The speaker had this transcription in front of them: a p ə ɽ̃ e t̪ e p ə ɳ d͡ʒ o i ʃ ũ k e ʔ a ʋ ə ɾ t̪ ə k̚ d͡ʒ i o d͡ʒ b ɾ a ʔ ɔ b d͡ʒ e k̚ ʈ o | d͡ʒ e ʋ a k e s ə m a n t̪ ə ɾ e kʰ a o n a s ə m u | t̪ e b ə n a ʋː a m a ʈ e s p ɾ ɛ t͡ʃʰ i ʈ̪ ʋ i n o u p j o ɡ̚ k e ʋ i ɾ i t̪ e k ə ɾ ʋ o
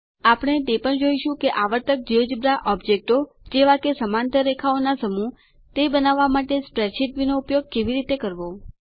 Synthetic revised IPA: a p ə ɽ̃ e t̪ e p ə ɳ d͡ʒ o i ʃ ũ k e ʔ a ʋ ə ɾ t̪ ə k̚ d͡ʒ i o d͡ʒ b ɾ a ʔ ɔ b d͡ʒ e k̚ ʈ o | d͡ʒ e ʋ a k e s ə m a n t̪ ə ɾ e kʰ a o n a s ə m u | t̪ e b ə n a ʋː a m a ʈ e s p ɾ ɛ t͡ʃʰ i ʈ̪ ʋ i n o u p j o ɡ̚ k e ʋ i ɾ i t̪ e k ə ɾ ʋ o